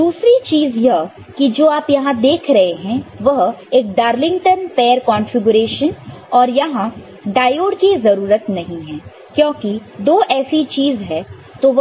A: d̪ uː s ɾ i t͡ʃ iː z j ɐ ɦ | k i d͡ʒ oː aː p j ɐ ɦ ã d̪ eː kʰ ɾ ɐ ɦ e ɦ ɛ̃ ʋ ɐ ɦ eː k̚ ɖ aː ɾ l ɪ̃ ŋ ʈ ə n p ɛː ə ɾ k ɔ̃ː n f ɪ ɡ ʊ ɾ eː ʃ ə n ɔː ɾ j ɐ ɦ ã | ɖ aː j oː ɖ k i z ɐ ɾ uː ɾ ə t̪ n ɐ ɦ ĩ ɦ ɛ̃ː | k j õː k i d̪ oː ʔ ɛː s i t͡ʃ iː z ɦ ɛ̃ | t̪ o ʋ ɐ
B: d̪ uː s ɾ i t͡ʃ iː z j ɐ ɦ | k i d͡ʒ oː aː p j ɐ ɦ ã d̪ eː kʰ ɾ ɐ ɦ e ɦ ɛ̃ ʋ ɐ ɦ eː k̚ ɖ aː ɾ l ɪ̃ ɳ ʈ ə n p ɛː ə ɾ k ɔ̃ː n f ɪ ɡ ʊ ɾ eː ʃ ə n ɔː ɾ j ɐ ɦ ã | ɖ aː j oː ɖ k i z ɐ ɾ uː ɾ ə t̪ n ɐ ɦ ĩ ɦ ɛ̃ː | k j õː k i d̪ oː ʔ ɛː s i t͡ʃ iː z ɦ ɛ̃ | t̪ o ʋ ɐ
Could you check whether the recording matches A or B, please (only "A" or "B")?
A